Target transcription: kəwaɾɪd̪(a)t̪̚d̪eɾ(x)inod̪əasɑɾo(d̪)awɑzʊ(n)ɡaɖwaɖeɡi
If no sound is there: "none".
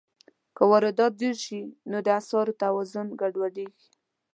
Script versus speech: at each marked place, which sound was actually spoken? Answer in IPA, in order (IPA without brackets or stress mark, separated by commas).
ɑ, ʃ, t̪, n